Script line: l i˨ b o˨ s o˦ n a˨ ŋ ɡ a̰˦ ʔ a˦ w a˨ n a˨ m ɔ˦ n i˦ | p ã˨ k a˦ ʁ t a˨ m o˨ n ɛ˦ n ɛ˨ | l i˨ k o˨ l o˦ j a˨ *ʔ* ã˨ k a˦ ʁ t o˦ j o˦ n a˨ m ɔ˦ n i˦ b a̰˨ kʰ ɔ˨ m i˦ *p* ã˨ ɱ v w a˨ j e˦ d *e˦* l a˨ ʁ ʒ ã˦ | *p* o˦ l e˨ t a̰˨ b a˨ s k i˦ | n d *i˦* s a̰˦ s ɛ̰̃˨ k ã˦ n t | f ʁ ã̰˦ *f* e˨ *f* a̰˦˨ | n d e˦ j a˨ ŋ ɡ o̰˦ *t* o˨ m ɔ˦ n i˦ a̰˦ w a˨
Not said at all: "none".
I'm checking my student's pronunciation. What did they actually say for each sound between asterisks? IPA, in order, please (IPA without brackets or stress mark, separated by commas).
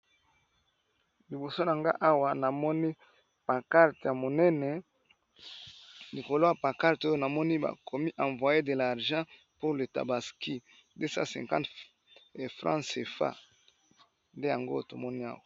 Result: p, ʔ, e˨, p, e˦, s, f, t